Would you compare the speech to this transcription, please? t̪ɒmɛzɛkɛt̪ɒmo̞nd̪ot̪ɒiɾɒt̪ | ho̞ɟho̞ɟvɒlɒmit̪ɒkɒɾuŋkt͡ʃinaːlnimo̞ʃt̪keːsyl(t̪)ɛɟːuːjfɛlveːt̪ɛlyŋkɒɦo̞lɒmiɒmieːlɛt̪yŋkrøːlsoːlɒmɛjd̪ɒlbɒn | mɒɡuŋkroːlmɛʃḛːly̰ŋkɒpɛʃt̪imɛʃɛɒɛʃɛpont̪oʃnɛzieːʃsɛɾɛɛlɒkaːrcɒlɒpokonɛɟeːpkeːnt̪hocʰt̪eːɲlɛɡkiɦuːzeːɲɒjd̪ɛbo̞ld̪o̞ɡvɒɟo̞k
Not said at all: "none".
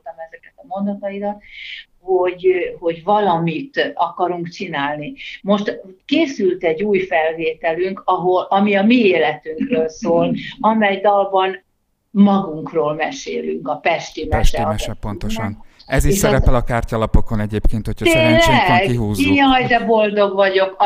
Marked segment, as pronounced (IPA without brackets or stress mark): t̪